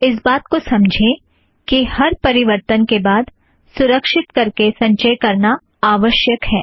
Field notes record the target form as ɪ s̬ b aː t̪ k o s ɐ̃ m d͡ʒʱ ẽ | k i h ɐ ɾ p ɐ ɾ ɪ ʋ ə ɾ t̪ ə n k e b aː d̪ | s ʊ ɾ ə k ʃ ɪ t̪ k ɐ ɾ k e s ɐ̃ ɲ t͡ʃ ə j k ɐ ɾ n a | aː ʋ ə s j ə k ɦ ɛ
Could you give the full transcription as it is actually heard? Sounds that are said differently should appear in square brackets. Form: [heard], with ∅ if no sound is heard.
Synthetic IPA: ɪ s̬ b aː t̪ k o s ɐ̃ m d͡ʒʱ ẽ | k i h ɐ ɾ p ɐ ɾ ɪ ʋ ə ɾ t̪ ə n k e b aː d̪ | s ʊ ɾ ə k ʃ ɪ t̪ k ɐ ɾ k e s ɐ̃ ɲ t͡ʃ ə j k ɐ ɾ n a | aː ʋ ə [ʃ] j ə k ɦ [ɛː]